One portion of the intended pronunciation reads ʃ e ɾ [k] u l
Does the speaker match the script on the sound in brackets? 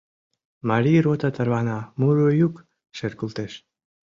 yes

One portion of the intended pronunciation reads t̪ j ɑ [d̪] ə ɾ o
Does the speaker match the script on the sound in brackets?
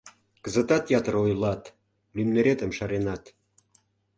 no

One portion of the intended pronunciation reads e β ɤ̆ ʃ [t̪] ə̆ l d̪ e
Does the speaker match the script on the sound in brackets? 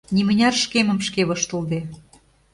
yes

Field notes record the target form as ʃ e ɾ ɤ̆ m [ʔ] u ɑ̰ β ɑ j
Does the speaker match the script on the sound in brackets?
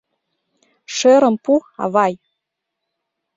no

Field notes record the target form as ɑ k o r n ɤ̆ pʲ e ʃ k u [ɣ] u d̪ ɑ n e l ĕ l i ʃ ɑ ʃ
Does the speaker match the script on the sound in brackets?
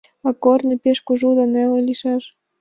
no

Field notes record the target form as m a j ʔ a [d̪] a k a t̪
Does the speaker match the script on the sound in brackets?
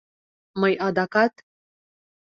yes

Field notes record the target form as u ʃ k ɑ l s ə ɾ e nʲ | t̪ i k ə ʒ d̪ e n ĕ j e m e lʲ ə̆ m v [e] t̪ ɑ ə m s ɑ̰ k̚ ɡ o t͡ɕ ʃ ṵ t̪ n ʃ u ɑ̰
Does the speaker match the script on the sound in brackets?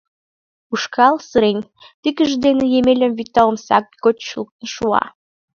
no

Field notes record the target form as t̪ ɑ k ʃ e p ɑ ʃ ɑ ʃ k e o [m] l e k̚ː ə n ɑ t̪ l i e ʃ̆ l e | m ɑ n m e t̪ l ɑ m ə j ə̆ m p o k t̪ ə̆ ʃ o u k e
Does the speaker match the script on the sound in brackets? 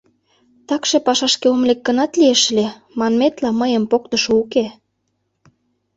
yes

